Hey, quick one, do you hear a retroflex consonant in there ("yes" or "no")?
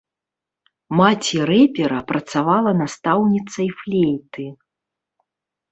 no